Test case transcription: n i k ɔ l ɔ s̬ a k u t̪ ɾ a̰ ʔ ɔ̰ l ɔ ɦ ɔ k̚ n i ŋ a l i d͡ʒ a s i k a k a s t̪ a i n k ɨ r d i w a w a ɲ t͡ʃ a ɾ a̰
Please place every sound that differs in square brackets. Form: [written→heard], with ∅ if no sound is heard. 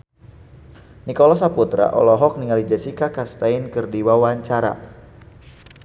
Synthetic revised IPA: n i k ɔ l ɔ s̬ a [k→p] u t̪ ɾ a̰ ʔ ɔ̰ l ɔ ɦ ɔ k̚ n i ŋ a l i d͡ʒ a s i k a k a s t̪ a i n k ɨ r d i w a w a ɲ t͡ʃ a ɾ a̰